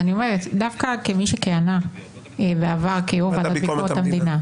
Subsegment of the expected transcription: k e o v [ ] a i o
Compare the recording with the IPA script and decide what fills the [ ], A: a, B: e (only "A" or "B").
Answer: A